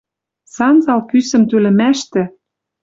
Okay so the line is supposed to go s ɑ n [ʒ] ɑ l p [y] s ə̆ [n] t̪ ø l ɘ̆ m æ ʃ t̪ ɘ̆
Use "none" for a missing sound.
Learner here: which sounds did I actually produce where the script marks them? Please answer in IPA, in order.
z, y, m

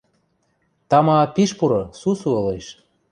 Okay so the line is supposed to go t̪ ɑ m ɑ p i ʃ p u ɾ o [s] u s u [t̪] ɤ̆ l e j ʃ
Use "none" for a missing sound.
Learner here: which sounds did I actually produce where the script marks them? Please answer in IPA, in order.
s, none

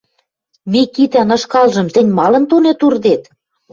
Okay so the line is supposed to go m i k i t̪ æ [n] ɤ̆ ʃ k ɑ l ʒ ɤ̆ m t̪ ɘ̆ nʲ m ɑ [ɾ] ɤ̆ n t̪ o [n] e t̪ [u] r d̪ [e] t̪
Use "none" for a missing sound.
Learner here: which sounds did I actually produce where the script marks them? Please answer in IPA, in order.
n, l, n, u, e

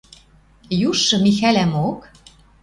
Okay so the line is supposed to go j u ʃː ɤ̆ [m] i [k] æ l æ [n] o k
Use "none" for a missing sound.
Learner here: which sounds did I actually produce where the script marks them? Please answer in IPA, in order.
m, x, m

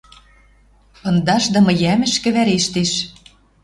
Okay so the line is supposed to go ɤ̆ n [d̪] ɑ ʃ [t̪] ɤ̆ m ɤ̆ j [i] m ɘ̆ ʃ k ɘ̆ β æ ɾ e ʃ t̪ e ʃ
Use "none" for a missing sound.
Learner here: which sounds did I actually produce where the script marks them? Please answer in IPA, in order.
d̪, d̪, æ

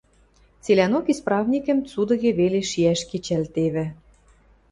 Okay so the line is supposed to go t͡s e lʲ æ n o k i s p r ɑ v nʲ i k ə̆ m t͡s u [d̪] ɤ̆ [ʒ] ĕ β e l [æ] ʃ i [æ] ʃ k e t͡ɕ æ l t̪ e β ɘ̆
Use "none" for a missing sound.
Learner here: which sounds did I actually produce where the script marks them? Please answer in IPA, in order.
d̪, ɣ, e, æ

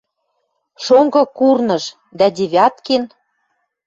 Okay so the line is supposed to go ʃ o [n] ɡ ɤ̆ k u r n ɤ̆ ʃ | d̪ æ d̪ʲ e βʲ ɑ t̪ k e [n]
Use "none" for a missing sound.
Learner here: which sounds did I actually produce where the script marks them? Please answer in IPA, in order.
ŋ, n

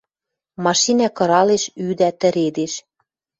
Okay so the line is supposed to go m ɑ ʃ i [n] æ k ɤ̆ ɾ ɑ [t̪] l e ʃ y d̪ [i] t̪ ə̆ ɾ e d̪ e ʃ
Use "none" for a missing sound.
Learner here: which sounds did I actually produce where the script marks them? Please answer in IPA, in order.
n, none, æ

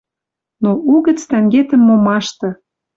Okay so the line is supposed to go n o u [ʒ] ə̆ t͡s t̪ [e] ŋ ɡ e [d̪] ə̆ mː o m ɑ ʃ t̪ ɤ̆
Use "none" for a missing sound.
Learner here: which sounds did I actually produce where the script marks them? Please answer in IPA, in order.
ɣ, æ, t̪

